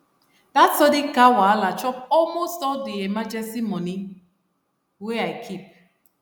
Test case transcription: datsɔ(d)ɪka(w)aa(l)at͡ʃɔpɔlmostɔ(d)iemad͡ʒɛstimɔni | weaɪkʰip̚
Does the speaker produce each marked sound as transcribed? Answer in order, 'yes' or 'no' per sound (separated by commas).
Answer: yes, yes, yes, yes